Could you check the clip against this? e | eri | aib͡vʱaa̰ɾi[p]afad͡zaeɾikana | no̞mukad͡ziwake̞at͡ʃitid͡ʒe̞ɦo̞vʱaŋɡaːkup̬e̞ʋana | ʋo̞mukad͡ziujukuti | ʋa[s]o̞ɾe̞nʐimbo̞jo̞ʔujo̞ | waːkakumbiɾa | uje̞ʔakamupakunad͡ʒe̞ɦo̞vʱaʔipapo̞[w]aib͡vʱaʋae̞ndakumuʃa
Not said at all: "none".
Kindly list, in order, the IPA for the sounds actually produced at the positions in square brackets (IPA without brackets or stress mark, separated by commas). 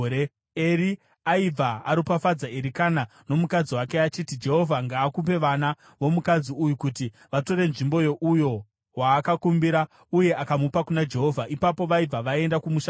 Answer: p, t, ʋ